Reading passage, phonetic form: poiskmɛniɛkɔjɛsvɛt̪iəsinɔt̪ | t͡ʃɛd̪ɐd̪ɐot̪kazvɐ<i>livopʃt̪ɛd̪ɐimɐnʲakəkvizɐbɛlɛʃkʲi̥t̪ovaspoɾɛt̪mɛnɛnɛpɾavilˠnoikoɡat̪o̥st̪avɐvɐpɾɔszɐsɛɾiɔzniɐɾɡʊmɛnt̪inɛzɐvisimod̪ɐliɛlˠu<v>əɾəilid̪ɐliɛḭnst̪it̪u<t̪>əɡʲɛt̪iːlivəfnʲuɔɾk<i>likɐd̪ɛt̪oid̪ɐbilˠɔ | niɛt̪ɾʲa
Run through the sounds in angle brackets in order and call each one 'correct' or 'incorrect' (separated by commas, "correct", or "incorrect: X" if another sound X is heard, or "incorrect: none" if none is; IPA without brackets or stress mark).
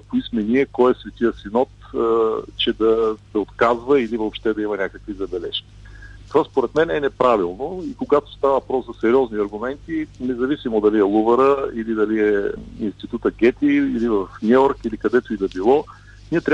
correct, correct, correct, correct